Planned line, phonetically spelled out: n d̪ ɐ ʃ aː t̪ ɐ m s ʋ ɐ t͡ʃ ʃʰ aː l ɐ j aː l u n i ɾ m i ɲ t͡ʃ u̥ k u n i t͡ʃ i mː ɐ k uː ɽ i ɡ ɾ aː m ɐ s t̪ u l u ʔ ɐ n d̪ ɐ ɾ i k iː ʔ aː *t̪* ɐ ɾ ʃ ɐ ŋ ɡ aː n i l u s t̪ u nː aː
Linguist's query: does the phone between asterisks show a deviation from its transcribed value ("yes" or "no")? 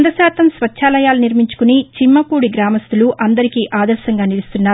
yes